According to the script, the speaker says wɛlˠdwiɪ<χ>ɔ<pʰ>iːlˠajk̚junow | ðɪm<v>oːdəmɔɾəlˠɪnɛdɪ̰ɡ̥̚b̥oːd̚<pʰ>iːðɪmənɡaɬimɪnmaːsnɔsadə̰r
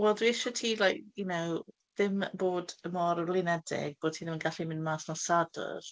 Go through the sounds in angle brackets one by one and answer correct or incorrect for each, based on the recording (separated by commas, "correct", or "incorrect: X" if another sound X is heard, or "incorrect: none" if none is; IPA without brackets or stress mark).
incorrect: ʃ, incorrect: tʰ, incorrect: b, incorrect: tʰ